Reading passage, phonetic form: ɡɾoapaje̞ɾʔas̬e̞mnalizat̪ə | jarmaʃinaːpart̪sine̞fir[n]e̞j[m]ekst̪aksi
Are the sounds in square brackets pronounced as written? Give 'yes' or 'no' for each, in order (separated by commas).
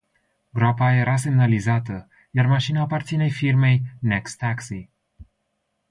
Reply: no, no